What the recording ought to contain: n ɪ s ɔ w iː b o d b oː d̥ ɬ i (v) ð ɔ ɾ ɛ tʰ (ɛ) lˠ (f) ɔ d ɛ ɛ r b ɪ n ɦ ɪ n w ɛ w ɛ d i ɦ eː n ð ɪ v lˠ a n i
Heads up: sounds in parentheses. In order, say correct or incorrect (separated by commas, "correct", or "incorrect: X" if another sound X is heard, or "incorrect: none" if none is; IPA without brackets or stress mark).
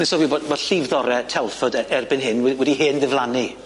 correct, correct, correct